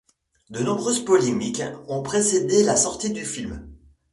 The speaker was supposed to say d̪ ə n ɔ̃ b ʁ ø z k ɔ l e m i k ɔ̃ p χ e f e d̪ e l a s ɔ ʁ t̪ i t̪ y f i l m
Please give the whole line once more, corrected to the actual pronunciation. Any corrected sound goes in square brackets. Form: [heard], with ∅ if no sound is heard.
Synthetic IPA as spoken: d̪ ə n ɔ̃ b ʁ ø z [p] ɔ l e m i k ɔ̃ p χ e [s] e d̪ e l a s ɔ ʁ t̪ i [d̪] y f i l m